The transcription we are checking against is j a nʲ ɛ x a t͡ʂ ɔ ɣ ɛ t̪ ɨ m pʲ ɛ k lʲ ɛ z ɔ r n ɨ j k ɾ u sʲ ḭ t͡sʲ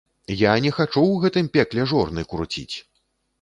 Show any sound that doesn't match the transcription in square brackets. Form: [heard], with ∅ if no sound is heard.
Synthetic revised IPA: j a nʲ ɛ x a t͡ʂ [u] ɣ ɛ t̪ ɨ m pʲ ɛ k lʲ ɛ [ʐ] ɔ r n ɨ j k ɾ u [t͡sʲ] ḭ t͡sʲ